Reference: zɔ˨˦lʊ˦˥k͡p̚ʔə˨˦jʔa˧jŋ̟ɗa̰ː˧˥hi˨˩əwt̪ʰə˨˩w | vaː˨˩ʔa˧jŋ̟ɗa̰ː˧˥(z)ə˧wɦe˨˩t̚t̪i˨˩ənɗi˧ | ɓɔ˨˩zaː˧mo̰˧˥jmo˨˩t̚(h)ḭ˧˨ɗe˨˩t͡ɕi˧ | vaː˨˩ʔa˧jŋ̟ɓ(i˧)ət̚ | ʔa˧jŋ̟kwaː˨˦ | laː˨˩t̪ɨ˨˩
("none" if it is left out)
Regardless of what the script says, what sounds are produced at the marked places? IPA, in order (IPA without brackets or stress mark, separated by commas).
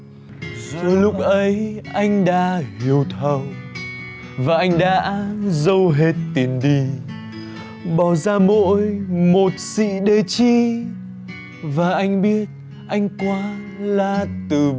z, s, i˦˥